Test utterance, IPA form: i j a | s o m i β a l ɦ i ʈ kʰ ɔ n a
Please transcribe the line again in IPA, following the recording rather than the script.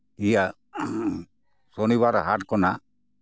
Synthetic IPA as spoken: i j a | s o n i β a ɾ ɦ a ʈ k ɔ n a